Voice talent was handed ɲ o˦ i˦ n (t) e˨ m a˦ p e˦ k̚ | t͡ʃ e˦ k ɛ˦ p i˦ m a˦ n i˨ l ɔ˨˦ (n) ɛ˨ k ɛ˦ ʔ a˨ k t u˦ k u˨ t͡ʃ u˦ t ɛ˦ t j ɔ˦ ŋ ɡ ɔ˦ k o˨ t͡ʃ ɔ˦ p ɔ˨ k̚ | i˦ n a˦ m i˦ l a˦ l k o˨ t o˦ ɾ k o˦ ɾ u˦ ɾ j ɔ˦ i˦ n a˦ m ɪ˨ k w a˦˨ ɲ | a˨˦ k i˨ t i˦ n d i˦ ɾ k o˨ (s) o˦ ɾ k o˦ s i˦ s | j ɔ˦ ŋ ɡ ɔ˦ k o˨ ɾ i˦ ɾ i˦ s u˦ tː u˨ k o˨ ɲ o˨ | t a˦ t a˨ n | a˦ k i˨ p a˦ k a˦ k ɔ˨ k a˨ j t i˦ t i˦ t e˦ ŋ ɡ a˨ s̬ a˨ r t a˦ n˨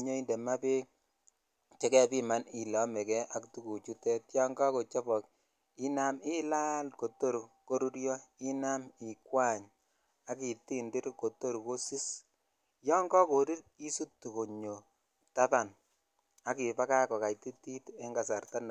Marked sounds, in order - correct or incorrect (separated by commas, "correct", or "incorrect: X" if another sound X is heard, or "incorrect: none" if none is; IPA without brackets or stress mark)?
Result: incorrect: d, incorrect: m, incorrect: t